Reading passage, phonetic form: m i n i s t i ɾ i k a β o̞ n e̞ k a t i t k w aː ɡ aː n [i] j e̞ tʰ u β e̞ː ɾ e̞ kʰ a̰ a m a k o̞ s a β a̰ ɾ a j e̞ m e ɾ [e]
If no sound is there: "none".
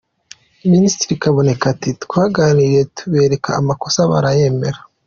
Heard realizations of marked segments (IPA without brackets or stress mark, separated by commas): i, a